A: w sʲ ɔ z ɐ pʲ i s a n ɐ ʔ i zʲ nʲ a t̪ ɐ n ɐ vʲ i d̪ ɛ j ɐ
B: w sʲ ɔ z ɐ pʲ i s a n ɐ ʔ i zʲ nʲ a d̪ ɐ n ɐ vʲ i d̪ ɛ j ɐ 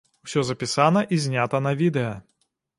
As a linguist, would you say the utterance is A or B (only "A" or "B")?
A